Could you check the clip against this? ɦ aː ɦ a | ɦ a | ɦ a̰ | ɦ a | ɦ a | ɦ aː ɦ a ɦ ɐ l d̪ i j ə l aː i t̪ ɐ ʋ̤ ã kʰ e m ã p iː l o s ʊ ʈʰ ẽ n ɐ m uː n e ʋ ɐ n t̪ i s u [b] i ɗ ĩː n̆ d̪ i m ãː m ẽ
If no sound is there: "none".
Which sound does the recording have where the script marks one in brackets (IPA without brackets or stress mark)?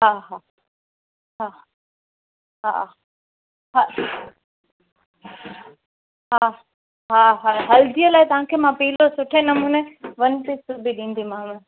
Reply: b